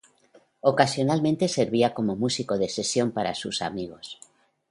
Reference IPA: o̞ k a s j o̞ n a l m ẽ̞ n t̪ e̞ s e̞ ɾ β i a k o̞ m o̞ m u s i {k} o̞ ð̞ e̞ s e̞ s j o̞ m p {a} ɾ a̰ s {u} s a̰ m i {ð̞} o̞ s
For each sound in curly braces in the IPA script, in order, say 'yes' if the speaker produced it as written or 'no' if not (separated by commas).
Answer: yes, yes, yes, no